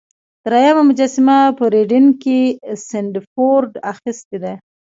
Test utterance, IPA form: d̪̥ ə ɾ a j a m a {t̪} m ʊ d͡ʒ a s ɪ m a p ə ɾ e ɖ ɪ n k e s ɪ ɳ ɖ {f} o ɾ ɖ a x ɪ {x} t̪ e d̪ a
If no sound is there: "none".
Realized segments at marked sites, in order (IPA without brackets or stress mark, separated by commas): none, f, s